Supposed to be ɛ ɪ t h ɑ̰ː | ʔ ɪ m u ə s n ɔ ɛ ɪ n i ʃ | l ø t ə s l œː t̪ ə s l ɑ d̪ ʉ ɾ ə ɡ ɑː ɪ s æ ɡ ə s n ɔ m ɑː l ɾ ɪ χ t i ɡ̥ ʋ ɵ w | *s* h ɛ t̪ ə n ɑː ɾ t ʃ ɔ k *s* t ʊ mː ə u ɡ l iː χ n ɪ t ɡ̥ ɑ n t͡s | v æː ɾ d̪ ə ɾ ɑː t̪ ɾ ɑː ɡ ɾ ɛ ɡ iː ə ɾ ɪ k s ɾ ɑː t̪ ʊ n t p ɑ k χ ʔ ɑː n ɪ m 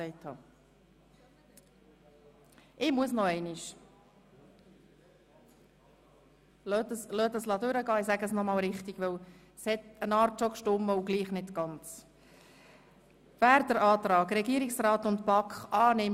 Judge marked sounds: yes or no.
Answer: yes, no

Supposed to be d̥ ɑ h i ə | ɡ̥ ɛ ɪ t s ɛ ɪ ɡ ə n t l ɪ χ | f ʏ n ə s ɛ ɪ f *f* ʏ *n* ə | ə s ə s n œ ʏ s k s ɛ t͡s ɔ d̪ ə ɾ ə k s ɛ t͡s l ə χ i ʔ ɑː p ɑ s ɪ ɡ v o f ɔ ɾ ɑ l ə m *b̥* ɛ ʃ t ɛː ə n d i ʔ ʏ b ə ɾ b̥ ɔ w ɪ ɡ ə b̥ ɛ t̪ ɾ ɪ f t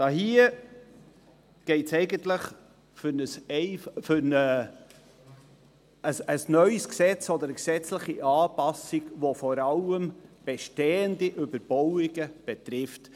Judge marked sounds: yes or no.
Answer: yes, yes, yes

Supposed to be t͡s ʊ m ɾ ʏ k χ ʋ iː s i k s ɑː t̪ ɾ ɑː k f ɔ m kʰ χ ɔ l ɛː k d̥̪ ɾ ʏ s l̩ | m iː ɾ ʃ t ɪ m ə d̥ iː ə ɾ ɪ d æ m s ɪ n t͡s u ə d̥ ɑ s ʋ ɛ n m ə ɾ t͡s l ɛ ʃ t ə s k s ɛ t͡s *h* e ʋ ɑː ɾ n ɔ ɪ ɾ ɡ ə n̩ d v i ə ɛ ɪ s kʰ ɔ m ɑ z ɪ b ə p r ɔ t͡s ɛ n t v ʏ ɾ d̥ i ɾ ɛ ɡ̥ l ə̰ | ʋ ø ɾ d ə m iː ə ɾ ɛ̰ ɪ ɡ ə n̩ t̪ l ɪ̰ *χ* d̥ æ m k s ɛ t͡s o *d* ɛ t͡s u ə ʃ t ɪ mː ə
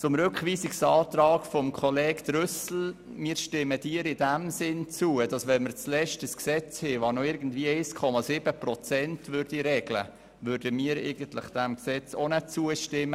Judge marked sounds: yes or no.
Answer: yes, yes, no

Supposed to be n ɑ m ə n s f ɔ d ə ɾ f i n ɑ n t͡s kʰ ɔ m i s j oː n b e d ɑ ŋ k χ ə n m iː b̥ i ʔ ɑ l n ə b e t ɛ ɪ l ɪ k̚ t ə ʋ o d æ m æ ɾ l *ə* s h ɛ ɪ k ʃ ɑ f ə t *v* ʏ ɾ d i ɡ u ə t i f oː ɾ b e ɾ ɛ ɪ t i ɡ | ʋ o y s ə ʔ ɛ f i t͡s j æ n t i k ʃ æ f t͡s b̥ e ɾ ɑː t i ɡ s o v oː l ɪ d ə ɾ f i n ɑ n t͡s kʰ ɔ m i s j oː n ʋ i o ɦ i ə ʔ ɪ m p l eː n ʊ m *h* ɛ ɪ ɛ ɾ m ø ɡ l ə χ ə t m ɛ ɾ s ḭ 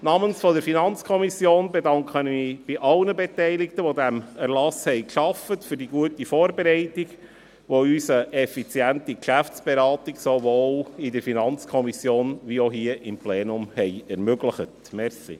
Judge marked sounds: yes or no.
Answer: no, no, yes

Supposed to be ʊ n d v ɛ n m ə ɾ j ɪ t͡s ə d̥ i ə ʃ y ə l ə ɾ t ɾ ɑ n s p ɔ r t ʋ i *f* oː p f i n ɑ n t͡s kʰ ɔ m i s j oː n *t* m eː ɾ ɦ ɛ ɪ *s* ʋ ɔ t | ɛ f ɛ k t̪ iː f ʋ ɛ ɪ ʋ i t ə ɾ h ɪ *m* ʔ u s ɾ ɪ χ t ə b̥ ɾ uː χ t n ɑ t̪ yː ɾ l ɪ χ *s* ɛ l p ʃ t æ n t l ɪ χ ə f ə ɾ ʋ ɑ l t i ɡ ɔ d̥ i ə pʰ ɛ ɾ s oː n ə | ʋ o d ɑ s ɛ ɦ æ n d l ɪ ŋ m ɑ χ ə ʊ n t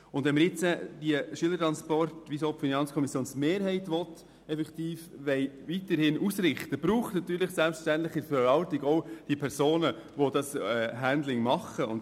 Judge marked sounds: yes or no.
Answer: no, no, no, no, yes

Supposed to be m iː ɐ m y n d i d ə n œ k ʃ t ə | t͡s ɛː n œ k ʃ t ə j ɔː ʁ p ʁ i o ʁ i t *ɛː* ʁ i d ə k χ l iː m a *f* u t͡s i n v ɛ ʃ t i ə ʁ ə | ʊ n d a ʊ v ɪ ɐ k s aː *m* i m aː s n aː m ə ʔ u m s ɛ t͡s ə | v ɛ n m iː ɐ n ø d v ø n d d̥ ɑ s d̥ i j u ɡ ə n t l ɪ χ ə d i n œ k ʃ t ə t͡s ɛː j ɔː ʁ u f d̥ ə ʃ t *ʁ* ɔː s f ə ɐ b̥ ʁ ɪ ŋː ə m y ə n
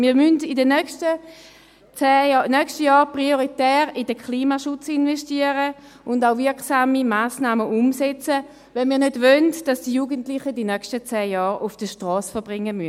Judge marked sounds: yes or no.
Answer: yes, no, yes, yes

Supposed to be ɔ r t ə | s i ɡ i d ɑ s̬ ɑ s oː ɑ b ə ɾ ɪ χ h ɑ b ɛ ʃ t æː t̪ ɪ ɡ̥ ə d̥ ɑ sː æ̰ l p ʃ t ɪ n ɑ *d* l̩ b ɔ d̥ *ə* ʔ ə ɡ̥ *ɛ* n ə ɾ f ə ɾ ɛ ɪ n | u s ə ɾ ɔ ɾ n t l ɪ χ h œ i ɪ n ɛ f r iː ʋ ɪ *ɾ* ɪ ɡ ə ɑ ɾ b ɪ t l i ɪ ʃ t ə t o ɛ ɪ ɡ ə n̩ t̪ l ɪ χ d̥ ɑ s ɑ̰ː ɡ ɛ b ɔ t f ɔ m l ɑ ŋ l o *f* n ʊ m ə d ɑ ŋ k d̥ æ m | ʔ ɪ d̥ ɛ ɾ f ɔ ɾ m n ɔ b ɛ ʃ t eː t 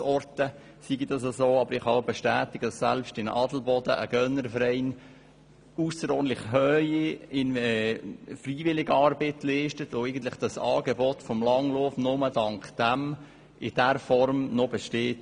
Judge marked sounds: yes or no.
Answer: yes, yes, no, no, yes

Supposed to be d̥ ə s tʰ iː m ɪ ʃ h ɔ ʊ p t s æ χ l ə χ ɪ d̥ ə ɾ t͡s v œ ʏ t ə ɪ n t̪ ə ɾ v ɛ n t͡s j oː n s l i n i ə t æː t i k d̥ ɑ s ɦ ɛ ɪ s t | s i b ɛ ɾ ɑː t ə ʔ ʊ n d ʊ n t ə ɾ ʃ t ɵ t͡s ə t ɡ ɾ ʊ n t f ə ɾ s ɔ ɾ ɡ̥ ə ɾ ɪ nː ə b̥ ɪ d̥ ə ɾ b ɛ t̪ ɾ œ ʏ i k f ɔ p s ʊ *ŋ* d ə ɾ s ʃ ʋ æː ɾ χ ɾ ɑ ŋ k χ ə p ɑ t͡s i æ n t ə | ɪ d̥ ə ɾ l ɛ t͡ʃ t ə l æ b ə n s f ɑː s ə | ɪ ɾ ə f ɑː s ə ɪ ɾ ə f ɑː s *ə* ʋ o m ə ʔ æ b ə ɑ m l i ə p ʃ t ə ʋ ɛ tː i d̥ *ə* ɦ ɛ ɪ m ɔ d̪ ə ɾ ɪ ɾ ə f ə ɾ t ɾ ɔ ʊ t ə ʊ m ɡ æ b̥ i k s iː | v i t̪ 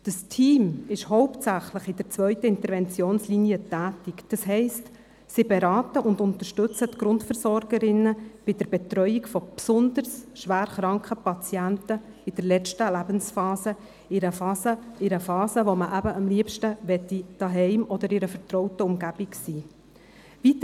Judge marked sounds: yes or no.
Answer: no, yes, no

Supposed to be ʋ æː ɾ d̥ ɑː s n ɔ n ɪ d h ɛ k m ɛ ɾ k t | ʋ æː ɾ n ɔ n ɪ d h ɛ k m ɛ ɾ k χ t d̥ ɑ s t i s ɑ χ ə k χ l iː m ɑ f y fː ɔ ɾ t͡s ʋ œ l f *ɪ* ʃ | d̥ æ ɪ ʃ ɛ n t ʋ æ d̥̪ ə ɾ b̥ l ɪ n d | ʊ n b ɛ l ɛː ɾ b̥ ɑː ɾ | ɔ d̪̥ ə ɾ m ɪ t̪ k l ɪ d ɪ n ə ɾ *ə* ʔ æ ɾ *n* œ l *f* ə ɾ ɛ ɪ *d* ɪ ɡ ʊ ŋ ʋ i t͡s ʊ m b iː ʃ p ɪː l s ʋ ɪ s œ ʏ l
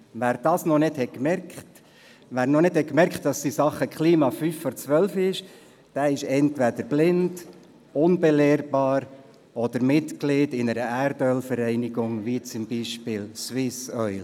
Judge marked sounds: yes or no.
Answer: yes, yes, no, yes, no

